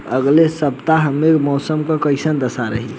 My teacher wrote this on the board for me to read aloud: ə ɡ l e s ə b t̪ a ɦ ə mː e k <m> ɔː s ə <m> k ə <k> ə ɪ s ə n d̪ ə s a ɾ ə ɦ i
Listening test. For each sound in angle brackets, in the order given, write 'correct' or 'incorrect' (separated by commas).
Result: correct, correct, correct